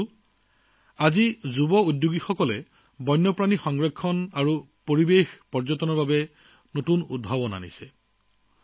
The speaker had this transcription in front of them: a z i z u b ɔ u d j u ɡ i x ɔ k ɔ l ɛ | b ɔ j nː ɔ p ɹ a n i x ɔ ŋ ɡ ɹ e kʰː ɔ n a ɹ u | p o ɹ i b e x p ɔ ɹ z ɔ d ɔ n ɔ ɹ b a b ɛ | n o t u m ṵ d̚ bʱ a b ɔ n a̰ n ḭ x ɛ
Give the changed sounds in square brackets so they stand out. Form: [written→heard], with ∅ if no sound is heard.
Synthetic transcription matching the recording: a z i z u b ɔ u d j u ɡ i x ɔ k ɔ l ɛ | b ɔ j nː ɔ p ɹ a n i x ɔ ŋ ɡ ɹ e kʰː ɔ n a ɹ u | p o ɹ i b e x p ɔ ɹ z ɔ [d→t] ɔ n ɔ ɹ b a b ɛ | n o t u [m→n] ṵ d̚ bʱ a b ɔ n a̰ n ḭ [x→s] ɛ